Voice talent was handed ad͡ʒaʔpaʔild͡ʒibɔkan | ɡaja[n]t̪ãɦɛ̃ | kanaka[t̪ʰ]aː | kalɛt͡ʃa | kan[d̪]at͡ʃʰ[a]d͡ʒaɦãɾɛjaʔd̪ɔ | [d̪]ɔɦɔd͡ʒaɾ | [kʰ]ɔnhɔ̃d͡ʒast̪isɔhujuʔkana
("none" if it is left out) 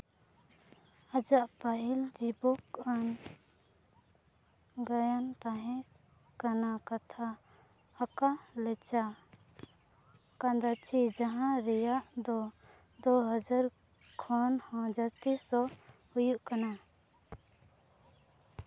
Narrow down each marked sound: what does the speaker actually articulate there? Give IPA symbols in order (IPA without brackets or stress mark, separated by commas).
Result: n, t̪ʰ, d̪, i, d̪, kʰ